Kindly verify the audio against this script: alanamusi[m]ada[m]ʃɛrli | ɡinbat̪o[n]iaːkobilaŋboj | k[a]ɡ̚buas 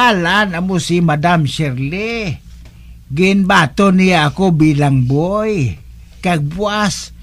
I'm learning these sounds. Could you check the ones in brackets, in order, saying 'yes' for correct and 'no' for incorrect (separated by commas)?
yes, yes, yes, yes